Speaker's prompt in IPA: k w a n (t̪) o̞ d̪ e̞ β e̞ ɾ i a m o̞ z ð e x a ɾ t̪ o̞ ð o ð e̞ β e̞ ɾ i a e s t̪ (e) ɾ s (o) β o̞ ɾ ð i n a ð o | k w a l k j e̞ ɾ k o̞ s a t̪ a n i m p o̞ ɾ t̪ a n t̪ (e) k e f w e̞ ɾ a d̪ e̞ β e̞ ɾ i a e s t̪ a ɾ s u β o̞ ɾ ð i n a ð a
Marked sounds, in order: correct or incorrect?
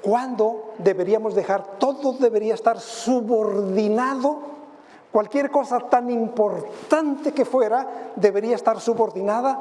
incorrect, incorrect, incorrect, correct

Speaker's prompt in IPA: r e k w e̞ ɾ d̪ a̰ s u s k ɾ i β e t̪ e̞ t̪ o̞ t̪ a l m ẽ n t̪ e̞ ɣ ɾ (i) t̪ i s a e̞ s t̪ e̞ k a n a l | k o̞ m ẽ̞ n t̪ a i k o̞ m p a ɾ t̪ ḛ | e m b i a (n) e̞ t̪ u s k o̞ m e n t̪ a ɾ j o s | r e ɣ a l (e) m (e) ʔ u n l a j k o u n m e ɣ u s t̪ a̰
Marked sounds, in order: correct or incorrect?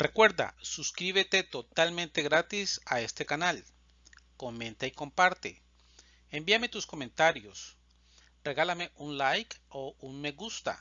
incorrect, incorrect, incorrect, correct

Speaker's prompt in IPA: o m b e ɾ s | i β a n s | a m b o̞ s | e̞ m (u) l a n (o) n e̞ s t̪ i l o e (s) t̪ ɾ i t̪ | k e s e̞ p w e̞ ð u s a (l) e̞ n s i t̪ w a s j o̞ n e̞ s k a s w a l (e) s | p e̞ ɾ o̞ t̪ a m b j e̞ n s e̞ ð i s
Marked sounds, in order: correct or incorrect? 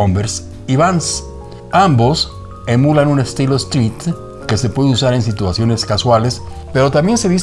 correct, incorrect, correct, incorrect, correct

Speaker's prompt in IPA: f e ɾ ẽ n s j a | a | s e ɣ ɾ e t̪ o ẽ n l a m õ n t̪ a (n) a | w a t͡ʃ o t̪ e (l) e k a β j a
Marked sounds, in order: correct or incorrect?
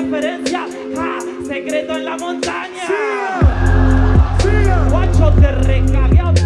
incorrect, incorrect

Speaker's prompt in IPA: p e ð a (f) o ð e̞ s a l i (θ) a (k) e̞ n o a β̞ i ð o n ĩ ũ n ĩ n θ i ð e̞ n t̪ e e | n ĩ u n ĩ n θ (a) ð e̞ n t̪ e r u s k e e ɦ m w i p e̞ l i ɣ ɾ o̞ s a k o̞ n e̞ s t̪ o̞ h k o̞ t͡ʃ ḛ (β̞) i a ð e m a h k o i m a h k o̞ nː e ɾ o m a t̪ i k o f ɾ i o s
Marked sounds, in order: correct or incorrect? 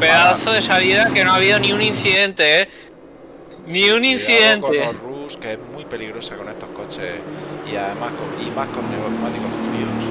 incorrect, incorrect, correct, incorrect, incorrect

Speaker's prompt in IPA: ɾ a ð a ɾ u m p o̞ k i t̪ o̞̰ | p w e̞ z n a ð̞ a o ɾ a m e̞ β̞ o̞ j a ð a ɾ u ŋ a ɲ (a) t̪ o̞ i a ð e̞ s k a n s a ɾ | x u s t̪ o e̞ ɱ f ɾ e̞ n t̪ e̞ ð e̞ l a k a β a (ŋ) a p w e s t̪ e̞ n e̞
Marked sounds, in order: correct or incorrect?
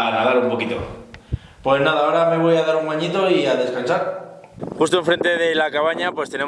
incorrect, incorrect

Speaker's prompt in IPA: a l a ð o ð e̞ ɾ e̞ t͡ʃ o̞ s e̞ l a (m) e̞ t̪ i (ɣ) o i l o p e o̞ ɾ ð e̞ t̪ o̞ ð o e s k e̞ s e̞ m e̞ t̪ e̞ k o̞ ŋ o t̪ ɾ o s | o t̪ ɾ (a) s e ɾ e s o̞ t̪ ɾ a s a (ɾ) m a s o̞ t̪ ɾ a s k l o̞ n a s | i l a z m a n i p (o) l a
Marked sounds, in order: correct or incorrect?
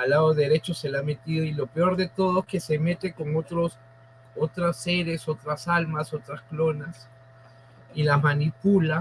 correct, incorrect, correct, incorrect, incorrect

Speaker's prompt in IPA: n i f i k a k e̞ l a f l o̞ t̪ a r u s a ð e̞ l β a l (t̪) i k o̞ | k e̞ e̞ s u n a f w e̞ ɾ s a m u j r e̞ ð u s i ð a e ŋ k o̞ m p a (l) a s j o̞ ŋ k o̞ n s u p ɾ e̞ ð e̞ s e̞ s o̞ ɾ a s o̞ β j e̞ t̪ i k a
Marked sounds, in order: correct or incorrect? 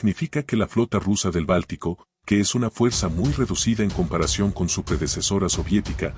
correct, incorrect

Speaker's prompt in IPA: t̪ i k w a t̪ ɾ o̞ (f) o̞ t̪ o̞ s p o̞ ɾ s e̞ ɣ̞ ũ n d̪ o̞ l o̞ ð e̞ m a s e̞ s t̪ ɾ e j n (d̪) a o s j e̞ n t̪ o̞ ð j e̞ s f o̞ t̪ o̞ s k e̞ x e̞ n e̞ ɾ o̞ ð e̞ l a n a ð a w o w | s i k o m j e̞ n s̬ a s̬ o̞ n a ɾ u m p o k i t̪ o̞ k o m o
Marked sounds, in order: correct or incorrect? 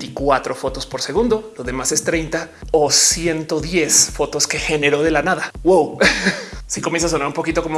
correct, incorrect

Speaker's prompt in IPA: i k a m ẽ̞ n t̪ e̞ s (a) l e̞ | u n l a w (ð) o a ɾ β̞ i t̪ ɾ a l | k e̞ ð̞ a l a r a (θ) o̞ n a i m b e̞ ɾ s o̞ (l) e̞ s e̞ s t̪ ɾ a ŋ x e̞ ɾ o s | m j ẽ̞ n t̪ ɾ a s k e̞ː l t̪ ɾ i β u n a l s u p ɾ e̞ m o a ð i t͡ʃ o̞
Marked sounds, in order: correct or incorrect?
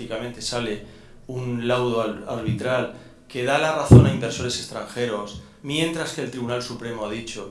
correct, correct, correct, incorrect

